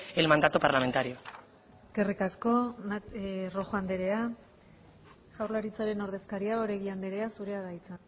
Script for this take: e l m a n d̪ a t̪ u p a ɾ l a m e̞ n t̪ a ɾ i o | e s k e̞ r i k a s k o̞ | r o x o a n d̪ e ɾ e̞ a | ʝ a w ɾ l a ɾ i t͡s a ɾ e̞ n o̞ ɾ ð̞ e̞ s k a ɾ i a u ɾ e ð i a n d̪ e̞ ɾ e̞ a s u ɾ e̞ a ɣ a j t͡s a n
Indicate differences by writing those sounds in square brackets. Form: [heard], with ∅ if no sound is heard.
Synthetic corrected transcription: e l m a n d̪ a t̪ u p a ɾ l a m e̞ n t̪ a ɾ i o | e s k e̞ r i k a s k o̞ | r o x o a n d̪ e ɾ e̞ a | ʝ a w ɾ l a ɾ i t͡s a ɾ e̞ n o̞ ɾ ð̞ e̞ s k a ɾ i a [o] ɾ e [ɣ] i a n d̪ e̞ ɾ e̞ a s u ɾ e̞ a [ð] a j t͡s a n